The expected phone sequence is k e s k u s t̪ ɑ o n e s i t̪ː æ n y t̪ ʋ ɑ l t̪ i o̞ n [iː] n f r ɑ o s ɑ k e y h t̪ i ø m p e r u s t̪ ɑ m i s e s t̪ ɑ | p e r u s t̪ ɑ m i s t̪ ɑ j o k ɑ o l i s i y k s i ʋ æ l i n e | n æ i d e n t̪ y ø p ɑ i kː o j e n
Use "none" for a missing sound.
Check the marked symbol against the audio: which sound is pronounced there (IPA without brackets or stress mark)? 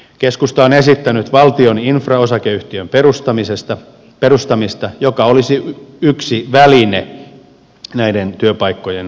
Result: i